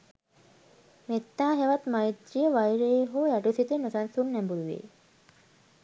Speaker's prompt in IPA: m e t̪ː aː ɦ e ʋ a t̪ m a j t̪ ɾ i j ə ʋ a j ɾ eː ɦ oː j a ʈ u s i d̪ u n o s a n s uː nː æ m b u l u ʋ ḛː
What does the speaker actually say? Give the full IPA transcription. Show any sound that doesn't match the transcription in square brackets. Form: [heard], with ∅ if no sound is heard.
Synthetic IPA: m e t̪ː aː ɦ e ʋ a t̪ m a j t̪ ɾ i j ə ʋ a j ɾ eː ɦ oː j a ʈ u s i [t̪] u n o s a n s [u] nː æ m b u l u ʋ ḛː

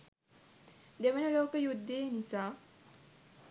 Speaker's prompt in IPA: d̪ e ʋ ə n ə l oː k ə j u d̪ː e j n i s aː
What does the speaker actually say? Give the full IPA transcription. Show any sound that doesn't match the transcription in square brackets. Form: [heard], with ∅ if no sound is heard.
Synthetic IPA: d̪ e ʋ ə n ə l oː k ə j u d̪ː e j n i s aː

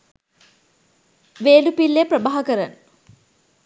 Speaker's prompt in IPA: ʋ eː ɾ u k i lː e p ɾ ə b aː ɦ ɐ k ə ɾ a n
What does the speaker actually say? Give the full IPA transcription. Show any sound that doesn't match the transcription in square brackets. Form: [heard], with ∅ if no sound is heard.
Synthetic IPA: ʋ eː [l] u [p] i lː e p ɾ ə b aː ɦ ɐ k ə ɾ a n

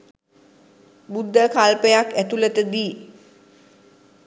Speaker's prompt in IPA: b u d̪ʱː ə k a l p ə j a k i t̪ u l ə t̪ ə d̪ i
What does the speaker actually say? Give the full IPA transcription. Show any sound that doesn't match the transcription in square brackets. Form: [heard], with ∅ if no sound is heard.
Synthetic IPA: b u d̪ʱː ə k a l p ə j a k [æ] t̪ u l ə t̪ ə d̪ [iː]

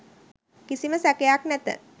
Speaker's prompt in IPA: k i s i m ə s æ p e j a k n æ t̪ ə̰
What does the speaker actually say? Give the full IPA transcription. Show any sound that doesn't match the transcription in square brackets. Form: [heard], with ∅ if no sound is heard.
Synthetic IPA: k i s i m ə s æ [k] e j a k n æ t̪ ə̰

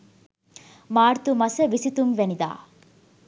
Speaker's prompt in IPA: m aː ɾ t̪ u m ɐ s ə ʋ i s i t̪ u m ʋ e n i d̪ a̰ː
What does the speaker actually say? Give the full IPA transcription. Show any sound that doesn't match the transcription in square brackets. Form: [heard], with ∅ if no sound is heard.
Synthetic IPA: m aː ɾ t̪ u m ɐ s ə ʋ i s i t̪ u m ʋ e n i d̪ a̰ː

